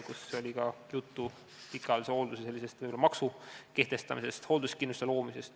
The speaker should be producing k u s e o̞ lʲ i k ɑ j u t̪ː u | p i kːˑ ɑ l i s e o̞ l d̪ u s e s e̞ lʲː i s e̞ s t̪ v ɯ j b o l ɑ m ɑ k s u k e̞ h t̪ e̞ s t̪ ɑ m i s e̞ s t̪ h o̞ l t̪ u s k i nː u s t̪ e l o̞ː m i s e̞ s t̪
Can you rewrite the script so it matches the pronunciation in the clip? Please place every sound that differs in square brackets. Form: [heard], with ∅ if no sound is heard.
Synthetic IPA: k u s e o̞ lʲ i k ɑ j u t̪ː u | p i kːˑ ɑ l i s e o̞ l d̪ u s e s e̞ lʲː i s e̞ s t̪ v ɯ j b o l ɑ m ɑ k s u k e̞ h t̪ e̞ s t̪ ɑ m i s e̞ s t̪ h o̞ l [d̪] u s k i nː u s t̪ e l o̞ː m i s e̞ s t̪